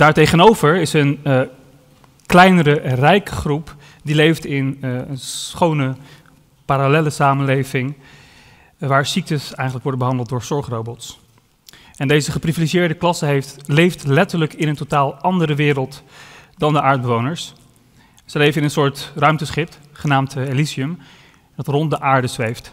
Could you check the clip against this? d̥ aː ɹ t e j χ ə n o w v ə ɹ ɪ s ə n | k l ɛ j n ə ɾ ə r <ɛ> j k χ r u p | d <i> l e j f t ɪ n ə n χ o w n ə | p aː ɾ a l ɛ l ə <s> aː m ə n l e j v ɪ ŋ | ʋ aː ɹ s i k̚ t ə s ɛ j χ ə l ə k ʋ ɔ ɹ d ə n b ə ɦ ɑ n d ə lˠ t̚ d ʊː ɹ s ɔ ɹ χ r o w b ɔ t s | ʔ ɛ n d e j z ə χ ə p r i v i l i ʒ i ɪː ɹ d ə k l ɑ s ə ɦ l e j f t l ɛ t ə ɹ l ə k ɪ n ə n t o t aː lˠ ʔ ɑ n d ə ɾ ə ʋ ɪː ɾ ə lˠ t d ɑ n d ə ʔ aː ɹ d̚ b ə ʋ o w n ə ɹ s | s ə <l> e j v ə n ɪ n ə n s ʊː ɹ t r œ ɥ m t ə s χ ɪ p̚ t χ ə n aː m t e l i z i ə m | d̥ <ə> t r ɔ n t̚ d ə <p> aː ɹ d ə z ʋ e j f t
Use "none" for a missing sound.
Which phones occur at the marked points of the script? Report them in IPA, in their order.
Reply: ɛ, i, s, l, ɑ, ʔ

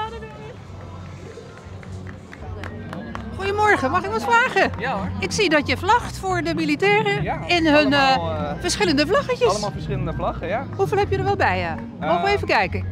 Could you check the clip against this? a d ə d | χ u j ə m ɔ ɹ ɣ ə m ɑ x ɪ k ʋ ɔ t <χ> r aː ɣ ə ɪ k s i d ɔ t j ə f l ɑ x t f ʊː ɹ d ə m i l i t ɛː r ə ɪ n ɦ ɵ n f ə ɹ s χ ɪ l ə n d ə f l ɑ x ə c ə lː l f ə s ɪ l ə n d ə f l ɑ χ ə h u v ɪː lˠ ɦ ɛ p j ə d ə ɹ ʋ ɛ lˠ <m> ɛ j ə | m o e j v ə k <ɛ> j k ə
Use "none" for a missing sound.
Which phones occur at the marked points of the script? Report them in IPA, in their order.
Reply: f, b, ɛ

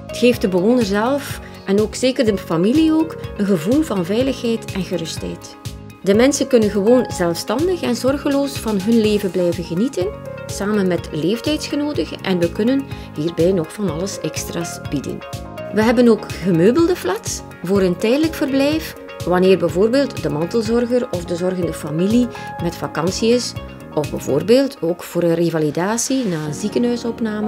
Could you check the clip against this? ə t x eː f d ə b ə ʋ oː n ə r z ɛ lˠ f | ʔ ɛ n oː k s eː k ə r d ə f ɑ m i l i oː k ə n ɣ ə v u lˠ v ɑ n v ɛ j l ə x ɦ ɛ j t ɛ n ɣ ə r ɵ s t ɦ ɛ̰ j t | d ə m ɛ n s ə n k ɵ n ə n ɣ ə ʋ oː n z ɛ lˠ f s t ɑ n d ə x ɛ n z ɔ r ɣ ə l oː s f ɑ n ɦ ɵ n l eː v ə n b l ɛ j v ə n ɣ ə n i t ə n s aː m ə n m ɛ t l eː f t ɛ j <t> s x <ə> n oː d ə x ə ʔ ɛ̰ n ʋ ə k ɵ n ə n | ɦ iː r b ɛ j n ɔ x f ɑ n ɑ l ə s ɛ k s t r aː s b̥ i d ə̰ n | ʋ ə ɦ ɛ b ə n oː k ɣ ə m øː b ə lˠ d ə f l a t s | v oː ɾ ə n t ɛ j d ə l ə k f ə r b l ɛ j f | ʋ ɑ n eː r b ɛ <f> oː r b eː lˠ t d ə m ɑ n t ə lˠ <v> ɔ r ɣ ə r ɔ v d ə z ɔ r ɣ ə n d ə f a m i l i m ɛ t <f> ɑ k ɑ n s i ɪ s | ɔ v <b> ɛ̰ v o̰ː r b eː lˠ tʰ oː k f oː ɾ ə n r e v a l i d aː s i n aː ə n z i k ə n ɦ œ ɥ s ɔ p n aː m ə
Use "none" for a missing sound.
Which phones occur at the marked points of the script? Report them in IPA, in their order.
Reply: t, ə, v, z, f, b

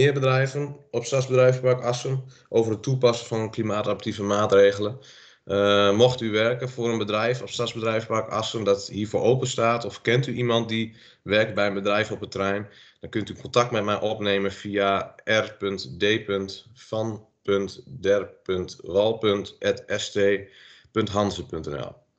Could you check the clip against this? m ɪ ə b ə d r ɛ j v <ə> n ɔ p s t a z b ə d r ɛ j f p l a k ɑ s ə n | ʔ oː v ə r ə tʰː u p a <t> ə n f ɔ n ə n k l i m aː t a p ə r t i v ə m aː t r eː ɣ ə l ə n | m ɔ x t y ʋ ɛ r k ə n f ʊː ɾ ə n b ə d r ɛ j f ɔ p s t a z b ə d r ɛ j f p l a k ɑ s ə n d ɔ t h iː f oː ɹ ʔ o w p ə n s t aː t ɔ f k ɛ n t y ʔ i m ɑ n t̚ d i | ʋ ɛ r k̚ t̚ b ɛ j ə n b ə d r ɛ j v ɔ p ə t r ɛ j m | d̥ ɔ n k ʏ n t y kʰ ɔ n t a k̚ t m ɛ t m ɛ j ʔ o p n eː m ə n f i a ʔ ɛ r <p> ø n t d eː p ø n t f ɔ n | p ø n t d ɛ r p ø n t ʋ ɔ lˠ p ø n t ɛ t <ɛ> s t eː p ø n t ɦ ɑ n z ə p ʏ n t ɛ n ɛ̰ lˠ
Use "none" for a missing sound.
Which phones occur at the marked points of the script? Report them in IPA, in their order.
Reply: ə, s, p, ɛ

